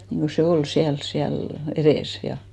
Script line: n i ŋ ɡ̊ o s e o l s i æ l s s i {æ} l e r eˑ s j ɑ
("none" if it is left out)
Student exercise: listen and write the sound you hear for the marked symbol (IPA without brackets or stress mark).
æ